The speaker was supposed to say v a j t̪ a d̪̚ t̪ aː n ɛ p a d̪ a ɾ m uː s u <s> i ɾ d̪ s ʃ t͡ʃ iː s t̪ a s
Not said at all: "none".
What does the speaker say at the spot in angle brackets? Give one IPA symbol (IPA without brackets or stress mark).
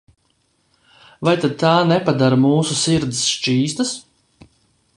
s